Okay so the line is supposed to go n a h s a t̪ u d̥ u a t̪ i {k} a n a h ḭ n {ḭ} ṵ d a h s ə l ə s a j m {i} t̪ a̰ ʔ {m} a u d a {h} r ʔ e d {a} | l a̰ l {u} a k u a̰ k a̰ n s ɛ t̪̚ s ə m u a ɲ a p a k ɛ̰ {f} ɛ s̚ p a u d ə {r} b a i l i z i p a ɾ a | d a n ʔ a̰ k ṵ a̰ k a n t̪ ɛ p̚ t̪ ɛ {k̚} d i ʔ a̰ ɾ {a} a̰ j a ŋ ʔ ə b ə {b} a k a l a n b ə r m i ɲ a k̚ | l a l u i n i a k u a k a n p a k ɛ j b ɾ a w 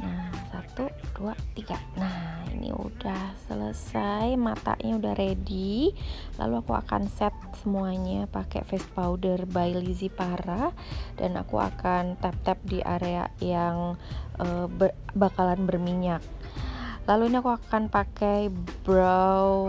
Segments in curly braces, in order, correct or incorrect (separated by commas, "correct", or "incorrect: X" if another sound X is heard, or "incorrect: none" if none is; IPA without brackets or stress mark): incorrect: ɡ, correct, incorrect: a, incorrect: ɲ, correct, incorrect: i, correct, correct, correct, incorrect: p̚, incorrect: e, correct